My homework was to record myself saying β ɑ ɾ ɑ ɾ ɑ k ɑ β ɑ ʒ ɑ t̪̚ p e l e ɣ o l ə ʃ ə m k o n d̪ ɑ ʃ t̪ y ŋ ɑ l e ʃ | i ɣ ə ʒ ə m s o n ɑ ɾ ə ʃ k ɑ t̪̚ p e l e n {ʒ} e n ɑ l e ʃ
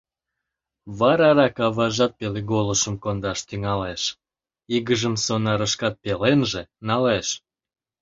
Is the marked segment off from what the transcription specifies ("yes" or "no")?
no